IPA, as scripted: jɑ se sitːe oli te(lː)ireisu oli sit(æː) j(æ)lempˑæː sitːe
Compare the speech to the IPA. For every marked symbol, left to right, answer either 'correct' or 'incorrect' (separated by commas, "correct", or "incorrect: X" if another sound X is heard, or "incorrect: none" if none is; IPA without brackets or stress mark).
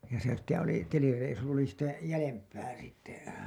incorrect: l, incorrect: æ, correct